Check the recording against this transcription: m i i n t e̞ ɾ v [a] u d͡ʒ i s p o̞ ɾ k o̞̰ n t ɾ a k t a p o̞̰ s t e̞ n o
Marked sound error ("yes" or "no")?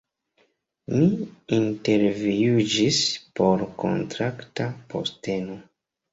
yes